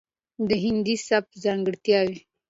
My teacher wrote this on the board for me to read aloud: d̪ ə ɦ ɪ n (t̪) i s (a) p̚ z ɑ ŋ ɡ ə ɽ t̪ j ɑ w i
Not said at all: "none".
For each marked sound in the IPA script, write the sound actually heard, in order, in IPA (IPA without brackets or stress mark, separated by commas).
d̪, a